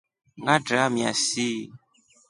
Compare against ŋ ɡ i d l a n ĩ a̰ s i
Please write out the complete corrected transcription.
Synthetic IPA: ŋ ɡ a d ɾ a m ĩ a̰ s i